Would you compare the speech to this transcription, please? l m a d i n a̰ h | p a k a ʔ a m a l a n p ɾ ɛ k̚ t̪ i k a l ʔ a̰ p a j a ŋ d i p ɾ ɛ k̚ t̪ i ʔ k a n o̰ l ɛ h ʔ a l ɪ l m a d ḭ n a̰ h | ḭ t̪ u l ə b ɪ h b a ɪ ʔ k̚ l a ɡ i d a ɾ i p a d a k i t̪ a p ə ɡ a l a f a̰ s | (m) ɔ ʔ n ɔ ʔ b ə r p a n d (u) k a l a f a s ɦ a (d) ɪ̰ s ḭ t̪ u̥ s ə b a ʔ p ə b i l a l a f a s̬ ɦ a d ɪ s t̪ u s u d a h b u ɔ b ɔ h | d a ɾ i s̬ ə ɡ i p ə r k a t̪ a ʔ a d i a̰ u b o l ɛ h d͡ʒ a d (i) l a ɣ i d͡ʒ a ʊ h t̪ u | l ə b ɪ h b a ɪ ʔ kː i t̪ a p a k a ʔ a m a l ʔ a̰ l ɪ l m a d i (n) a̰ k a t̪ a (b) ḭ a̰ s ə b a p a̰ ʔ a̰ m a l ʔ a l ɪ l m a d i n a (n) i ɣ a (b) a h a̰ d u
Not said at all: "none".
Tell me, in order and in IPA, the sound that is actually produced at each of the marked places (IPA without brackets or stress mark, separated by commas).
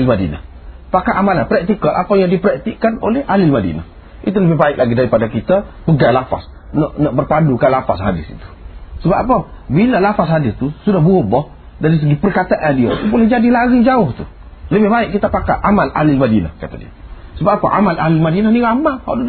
n, u, d, i, n, d, n, m